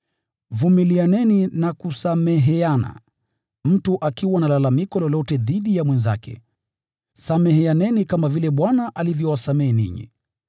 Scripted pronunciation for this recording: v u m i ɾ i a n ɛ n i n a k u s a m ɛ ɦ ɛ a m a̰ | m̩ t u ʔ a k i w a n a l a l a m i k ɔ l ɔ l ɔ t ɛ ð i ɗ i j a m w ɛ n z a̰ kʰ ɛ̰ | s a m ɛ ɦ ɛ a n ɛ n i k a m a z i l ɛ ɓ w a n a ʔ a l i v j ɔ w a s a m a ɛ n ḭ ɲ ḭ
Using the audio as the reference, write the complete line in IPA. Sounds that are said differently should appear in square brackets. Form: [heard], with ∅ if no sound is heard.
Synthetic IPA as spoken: v u m i [l] i a n ɛ n i n a k u s a m ɛ ɦ ɛ a [n] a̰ | m̩ t u ʔ a k i w a n a l a l a m i k ɔ l ɔ l ɔ t ɛ ð i ɗ i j a m w ɛ n z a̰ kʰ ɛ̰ | s a m ɛ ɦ ɛ a n ɛ n i k a m a [v] i l ɛ ɓ w a n a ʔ a l i v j ɔ w a s a m [ɛ] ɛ n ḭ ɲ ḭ